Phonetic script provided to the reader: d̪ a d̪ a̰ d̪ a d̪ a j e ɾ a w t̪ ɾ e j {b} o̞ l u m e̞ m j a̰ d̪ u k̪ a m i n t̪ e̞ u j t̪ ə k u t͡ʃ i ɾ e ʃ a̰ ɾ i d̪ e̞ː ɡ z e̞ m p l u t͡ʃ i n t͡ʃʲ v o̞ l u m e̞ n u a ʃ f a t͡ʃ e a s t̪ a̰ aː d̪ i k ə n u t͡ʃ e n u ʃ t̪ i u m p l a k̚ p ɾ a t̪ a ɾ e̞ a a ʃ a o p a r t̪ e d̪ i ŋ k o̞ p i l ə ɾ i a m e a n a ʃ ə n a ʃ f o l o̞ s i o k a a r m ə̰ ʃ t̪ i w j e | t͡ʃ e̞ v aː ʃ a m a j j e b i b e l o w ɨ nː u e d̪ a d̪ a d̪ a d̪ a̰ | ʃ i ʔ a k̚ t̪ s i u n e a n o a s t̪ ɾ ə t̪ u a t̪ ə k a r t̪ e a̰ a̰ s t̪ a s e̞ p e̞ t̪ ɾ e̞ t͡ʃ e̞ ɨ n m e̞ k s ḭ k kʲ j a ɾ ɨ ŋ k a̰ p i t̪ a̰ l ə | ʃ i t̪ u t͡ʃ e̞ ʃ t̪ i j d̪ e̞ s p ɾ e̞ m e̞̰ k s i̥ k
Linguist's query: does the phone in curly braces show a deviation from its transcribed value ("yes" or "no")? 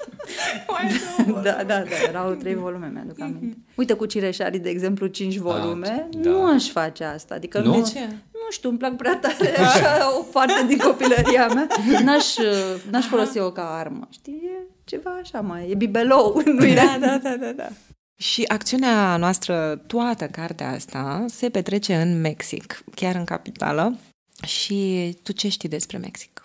yes